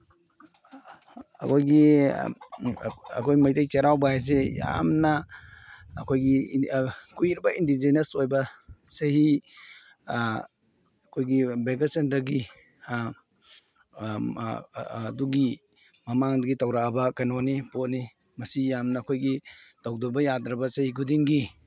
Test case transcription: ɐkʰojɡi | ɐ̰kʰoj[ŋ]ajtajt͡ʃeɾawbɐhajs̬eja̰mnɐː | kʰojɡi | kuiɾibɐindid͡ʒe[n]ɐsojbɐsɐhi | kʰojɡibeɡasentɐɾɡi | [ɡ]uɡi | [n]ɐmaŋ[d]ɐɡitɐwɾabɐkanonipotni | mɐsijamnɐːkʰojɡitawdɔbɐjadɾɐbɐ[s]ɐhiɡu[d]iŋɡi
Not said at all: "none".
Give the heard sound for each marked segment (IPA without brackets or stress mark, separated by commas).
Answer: m, n, d, m, d, s, d